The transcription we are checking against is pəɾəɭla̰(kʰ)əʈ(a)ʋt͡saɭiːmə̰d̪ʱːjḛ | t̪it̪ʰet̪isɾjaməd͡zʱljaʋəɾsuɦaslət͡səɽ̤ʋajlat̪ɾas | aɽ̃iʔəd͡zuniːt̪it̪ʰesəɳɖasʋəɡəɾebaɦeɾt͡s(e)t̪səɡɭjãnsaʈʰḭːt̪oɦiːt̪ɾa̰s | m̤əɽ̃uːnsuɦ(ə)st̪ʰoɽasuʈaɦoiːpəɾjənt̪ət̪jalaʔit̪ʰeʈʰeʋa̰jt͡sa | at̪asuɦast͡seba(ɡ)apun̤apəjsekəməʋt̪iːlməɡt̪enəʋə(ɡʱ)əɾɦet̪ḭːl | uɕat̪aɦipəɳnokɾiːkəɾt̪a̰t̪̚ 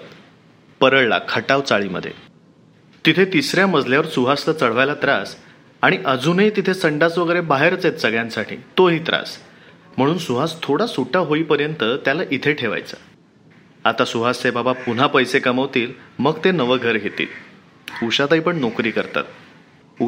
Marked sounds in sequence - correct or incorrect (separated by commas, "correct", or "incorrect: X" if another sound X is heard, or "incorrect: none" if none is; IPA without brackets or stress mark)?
correct, correct, correct, incorrect: a, incorrect: b, correct